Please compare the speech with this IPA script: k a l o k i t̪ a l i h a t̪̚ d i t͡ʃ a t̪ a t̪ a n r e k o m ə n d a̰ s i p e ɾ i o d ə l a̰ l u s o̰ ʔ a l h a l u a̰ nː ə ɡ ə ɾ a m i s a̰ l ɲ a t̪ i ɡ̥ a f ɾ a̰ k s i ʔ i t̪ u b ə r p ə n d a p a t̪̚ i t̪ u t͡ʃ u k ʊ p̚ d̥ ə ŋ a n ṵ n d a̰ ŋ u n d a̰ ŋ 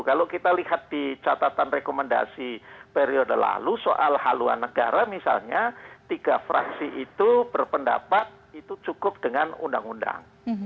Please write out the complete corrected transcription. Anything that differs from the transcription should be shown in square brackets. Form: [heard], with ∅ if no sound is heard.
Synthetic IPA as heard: k a l o k i t̪ a l i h a t̪̚ d i t͡ʃ a t̪ a t̪ a n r e k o m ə n d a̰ s i p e ɾ i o d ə l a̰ l u s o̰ ʔ a l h a l u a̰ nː ə ɡ [a] ɾ a m i s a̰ l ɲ a t̪ i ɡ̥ a f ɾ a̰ k s i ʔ i t̪ u b ə r p ə n d a p a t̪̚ i t̪ u t͡ʃ u k ʊ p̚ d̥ ə ŋ a n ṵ n d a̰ ŋ u n d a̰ ŋ